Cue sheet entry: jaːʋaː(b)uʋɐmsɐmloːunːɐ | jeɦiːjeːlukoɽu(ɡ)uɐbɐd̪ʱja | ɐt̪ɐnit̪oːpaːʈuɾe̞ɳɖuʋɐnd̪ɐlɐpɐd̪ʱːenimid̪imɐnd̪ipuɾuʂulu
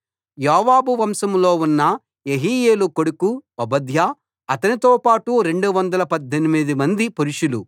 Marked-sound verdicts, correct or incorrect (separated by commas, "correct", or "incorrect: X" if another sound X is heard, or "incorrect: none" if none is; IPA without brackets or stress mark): correct, incorrect: k